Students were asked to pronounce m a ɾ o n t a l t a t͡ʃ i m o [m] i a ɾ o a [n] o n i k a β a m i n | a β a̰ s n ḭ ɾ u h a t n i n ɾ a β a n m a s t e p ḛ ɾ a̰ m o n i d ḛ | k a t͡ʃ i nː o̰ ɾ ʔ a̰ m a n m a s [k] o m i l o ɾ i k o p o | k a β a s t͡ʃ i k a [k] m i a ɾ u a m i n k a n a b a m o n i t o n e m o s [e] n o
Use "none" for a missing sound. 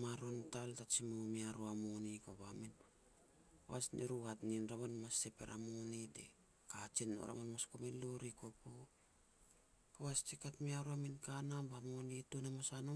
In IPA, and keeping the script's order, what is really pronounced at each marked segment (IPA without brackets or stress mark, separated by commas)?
m, m, k, t, a